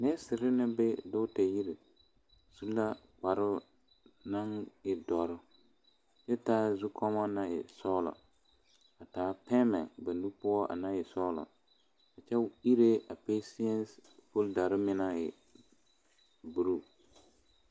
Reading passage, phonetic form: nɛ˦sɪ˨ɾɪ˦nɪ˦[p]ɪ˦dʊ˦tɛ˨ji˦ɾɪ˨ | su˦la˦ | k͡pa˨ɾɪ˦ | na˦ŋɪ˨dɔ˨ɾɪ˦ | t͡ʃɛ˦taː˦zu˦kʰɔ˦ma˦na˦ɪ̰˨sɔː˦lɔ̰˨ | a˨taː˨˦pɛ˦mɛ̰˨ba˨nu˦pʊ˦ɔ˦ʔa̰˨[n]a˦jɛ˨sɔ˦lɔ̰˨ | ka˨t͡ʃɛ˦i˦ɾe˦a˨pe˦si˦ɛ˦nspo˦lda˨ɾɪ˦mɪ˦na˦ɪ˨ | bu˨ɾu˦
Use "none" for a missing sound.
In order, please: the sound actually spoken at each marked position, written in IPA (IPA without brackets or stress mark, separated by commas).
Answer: b, n